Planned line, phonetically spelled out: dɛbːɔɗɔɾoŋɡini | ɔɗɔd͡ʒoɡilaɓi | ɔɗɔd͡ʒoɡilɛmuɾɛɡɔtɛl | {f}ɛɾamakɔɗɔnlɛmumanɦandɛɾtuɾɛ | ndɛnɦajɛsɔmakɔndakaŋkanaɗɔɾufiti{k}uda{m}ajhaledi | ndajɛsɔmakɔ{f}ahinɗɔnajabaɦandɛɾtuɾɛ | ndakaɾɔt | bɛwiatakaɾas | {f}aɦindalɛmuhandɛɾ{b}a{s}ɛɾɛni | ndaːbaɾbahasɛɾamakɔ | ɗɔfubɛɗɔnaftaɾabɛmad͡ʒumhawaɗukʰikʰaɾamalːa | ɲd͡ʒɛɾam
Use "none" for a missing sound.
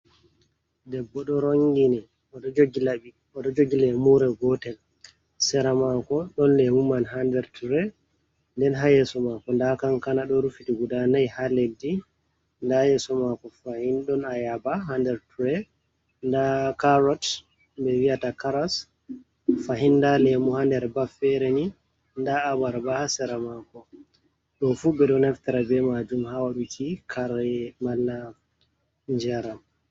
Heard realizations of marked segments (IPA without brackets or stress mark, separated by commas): s, ɡ, n, f, f, b, f